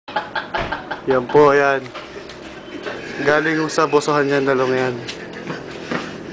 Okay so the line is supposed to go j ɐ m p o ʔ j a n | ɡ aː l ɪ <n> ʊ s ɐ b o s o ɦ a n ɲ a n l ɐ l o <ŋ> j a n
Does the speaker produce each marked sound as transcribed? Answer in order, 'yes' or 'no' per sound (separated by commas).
no, yes